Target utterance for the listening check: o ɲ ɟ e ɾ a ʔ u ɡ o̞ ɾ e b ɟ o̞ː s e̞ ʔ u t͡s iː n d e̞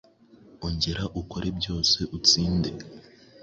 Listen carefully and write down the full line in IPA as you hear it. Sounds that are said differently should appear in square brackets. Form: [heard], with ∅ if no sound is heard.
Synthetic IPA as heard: o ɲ ɟ e ɾ a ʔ u [k] o̞ ɾ e b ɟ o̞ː s e̞ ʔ u t͡s iː n d e̞